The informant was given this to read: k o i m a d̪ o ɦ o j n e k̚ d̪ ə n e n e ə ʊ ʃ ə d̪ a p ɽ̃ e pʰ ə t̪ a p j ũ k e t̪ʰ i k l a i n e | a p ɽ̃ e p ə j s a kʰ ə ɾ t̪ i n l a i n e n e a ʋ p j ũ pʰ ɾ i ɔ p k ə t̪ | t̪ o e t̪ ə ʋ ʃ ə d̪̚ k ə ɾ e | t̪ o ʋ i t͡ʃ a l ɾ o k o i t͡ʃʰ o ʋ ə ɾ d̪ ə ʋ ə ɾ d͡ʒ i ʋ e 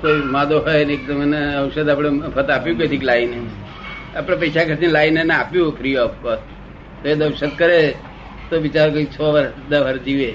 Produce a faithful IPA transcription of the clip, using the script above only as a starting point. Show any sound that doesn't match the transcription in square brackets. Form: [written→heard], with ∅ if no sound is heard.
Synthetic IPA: k o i m a d̪ o ɦ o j n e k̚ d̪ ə [n→m] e n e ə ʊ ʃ ə d̪ a p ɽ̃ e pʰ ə t̪ a p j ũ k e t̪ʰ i k l a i n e | a p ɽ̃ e p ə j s a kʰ ə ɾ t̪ i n l a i n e n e a [ʋ→∅] p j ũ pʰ ɾ i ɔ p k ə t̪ | t̪ o e [t̪→d̪] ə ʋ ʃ ə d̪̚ k ə ɾ e | t̪ o ʋ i t͡ʃ a [l→∅] ɾ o k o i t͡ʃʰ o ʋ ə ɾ d̪ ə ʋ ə ɾ d͡ʒ i ʋ e